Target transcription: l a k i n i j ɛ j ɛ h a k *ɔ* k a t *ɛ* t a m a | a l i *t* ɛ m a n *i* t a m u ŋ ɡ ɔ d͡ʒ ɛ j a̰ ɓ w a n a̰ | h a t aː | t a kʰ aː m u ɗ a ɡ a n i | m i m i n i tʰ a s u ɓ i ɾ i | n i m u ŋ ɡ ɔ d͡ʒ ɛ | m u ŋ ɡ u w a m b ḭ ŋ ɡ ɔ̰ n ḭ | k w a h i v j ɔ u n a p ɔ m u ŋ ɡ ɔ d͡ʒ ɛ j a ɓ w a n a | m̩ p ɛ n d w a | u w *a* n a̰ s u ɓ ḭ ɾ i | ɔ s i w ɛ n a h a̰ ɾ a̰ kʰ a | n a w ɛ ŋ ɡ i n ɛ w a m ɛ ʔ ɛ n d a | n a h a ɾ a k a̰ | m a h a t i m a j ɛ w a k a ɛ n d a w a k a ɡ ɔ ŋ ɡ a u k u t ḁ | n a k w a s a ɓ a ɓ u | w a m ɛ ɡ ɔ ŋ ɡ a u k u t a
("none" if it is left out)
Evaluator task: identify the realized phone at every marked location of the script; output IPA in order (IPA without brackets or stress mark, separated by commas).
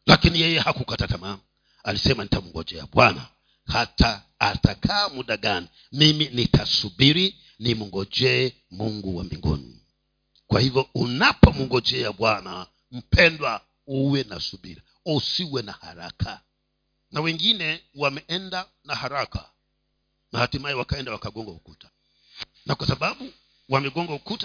u, a, s, i, ɛ